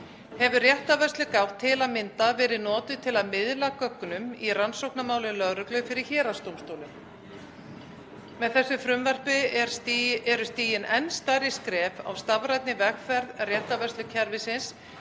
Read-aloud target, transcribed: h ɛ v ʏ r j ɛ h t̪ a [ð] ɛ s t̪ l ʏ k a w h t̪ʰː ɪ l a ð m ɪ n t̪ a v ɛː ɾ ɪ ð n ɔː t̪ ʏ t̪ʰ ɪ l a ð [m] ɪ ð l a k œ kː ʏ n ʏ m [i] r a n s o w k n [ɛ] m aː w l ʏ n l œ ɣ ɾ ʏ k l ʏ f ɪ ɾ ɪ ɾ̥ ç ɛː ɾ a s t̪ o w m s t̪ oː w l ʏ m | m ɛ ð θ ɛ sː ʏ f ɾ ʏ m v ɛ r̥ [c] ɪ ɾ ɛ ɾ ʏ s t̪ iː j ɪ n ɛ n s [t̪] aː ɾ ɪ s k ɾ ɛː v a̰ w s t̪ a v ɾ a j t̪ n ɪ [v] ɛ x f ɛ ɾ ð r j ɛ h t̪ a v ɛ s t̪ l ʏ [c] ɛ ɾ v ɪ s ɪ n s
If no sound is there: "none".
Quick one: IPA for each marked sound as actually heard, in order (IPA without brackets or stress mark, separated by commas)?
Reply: v, m, i, a, p, t̪, v, cʰ